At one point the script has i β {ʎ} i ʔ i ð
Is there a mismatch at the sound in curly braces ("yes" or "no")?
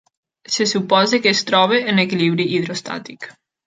yes